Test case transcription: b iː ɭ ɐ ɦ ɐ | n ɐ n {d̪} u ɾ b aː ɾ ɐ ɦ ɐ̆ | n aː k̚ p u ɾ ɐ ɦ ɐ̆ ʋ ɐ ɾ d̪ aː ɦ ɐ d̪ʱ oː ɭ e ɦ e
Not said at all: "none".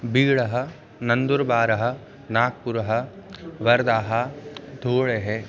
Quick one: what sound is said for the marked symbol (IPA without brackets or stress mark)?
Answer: d̪